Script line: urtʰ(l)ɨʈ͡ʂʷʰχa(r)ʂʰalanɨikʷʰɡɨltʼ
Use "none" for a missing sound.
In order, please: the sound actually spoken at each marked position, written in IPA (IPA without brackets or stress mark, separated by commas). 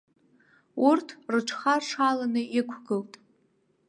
r, r